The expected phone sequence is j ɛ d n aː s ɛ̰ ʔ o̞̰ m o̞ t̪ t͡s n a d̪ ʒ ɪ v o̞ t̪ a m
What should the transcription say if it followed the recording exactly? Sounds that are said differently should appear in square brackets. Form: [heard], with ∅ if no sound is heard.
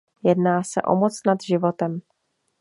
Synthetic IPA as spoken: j ɛ d n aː s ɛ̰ ʔ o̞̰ m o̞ [∅] t͡s n a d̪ ʒ ɪ v o̞ t̪ [ɛ] m

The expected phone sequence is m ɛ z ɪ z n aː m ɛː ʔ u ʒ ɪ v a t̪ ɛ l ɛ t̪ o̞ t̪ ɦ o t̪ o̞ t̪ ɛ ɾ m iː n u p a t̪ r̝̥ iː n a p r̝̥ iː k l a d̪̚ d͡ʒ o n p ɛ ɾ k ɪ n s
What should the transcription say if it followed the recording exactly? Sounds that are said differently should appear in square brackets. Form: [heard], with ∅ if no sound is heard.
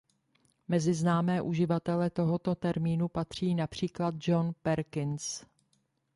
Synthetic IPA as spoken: m ɛ z ɪ z n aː m ɛː ʔ u ʒ ɪ v a t̪ ɛ l ɛ t̪ o̞ [∅] ɦ o t̪ o̞ t̪ ɛ ɾ m iː n u p a t̪ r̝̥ iː n a p r̝̥ iː k l a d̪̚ d͡ʒ o n p ɛ ɾ k ɪ n s

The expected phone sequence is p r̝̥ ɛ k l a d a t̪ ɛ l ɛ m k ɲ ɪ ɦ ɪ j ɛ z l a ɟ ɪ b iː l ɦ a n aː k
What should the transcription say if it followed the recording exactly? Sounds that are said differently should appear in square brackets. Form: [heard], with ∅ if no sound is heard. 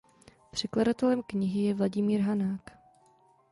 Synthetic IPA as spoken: p r̝̥ ɛ k l a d a t̪ ɛ l ɛ m k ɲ ɪ ɦ ɪ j ɛ [v] l a ɟ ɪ [m] iː [ɾ] ɦ a n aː k

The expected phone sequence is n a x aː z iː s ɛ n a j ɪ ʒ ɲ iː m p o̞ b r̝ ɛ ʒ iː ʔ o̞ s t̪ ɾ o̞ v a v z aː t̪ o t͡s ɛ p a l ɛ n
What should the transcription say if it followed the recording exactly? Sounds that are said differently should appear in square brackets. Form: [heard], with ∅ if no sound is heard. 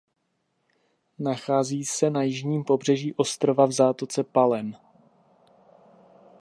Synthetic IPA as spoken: n a x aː z iː s ɛ n a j ɪ ʒ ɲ iː m p o̞ b r̝ ɛ ʒ iː ʔ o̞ s t̪ ɾ o̞ v a v z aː t̪ o t͡s ɛ p a l ɛ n

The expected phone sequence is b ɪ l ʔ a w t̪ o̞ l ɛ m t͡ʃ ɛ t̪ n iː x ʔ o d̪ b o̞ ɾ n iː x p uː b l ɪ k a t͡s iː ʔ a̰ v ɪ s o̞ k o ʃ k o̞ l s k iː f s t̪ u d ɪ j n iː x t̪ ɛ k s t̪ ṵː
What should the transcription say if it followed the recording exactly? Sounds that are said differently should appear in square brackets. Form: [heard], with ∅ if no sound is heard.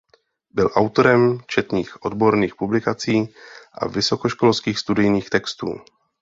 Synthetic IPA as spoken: b ɪ l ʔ a w t̪ o̞ [ɾ] ɛ m t͡ʃ ɛ t̪ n iː x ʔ o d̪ b o̞ ɾ n iː x p [u] b l ɪ k a t͡s iː ʔ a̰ v ɪ s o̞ k o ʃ k o̞ l s k iː [x] s t̪ u d ɪ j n iː x t̪ ɛ k s t̪ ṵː

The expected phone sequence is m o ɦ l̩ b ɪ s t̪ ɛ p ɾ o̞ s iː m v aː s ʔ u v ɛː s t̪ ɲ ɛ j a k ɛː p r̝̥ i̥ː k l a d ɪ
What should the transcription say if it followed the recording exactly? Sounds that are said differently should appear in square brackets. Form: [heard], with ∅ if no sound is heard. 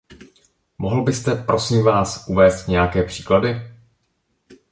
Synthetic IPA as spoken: m o ɦ l̩ b ɪ s t̪ ɛ p ɾ o̞ s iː m v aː s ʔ u v ɛː s t̪ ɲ ɛ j a k ɛː p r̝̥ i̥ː k l a d ɪ

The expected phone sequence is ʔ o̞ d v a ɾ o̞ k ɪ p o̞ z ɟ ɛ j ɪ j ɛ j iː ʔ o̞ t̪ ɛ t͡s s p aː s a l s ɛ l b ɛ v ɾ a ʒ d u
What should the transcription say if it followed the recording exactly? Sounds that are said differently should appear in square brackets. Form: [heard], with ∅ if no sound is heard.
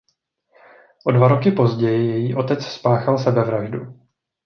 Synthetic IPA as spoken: ʔ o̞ d v a ɾ o̞ k ɪ p o̞ z ɟ ɛ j ɪ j ɛ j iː ʔ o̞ t̪ ɛ t͡s s p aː [x] a l s ɛ [∅] b ɛ v ɾ a ʒ d u

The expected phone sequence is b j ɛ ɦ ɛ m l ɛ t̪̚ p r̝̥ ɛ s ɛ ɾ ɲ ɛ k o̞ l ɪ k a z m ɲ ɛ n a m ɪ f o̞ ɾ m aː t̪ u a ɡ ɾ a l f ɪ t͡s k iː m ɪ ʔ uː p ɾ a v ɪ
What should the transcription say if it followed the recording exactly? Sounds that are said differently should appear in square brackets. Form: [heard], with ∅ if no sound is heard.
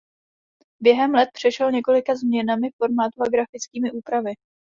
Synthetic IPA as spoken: b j ɛ ɦ ɛ m l ɛ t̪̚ p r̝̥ ɛ [ʃ] ɛ [l] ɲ ɛ k o̞ l ɪ k a z m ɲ ɛ n a m ɪ f o̞ ɾ m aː t̪ u a ɡ ɾ a [∅] f ɪ t͡s k iː m ɪ ʔ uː p ɾ a v ɪ

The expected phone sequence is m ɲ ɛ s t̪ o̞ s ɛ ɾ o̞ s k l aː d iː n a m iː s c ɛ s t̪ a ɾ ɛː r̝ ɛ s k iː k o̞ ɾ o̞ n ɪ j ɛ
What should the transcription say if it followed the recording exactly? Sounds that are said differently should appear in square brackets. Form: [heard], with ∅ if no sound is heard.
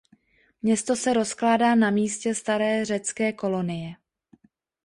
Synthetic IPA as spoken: m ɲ ɛ s t̪ o̞ s ɛ ɾ o̞ s k l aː d [aː] n a m iː s c ɛ s t̪ a ɾ ɛː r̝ ɛ [t͡s] k [ɛː] k o̞ [l] o̞ n ɪ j ɛ

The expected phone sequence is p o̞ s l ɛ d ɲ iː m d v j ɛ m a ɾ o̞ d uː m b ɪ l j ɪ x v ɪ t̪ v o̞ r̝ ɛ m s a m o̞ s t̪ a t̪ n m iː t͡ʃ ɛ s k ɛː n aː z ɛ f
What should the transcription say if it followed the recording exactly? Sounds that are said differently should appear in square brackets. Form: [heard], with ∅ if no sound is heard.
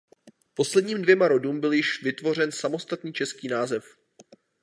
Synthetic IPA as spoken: p o̞ s l ɛ d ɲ iː m d v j ɛ m a ɾ o̞ d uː m b ɪ l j ɪ [ʃ] v ɪ t̪ v o̞ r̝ ɛ [n] s a m o̞ s t̪ a t̪ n [ɲ] iː t͡ʃ ɛ s k [iː] n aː z ɛ f

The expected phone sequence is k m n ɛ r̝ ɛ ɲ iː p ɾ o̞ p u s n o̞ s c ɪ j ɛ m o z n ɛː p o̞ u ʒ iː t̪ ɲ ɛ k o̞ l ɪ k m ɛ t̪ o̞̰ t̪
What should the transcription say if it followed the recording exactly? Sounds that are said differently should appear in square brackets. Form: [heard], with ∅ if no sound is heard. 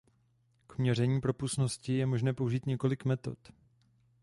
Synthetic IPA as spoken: k m [ɲ] ɛ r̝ ɛ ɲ iː p ɾ o̞ p u s n o̞ s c ɪ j ɛ m o [ʒ] n ɛː p o̞ u ʒ iː t̪ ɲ ɛ k o̞ l ɪ k m ɛ t̪ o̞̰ t̪

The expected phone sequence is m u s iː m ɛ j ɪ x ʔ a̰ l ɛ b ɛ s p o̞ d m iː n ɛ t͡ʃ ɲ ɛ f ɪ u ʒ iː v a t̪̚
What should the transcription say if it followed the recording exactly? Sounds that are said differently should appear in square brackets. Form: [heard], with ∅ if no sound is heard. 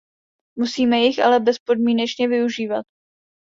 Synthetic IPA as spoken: m u s iː m ɛ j ɪ x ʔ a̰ l ɛ b ɛ s p o̞ d m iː n ɛ t͡ʃ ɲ ɛ [v] ɪ u ʒ iː v a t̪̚

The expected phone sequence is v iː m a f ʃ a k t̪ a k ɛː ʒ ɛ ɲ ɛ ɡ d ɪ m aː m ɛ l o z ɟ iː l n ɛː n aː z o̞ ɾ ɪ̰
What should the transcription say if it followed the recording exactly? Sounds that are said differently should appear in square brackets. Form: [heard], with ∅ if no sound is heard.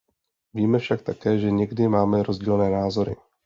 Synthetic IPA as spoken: v iː m [ɛ] f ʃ a k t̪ a k ɛː ʒ ɛ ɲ ɛ ɡ d ɪ m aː m ɛ [ɾ] o z ɟ iː l n ɛː n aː z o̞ ɾ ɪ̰

